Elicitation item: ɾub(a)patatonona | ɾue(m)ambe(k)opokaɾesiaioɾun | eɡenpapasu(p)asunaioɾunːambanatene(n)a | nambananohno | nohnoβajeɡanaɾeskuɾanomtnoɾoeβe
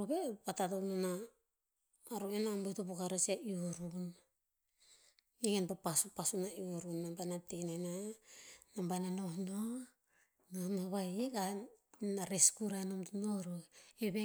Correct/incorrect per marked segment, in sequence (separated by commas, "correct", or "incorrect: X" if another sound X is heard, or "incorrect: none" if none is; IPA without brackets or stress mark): incorrect: e, incorrect: n, incorrect: t, correct, correct